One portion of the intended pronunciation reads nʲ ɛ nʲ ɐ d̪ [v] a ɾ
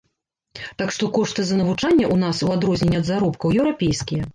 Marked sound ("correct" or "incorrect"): incorrect